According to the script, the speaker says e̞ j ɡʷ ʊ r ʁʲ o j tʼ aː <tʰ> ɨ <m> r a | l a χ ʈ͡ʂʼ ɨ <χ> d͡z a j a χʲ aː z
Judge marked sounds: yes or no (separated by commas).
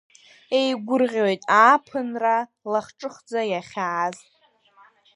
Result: no, no, yes